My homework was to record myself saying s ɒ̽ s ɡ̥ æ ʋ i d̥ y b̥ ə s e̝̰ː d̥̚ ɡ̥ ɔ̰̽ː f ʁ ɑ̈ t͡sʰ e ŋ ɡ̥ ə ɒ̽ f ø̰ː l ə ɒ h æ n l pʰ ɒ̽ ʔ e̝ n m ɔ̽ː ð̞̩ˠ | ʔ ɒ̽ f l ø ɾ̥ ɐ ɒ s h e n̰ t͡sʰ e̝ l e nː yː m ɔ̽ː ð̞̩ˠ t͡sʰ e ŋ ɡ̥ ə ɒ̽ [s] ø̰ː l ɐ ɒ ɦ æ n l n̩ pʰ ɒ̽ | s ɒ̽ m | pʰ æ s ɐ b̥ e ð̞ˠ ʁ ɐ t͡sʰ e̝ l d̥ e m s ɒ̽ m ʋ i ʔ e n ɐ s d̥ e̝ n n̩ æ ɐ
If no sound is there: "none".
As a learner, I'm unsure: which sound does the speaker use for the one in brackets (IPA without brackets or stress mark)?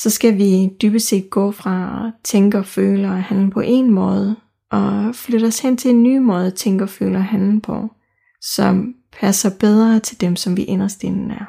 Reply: f